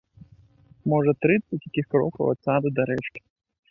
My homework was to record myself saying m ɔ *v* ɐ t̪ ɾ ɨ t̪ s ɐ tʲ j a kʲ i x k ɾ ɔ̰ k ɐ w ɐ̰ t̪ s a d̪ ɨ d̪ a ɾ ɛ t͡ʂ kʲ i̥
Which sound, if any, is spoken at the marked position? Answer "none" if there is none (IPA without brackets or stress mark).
ʐ